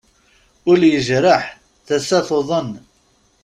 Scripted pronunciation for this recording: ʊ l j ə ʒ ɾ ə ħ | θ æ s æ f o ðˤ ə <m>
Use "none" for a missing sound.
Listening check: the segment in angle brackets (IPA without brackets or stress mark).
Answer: n